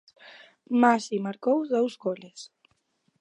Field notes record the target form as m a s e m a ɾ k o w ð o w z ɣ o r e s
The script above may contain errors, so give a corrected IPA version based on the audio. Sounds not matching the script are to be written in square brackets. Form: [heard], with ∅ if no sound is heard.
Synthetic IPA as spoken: m a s [i] m a ɾ k o w ð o w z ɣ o [l] e s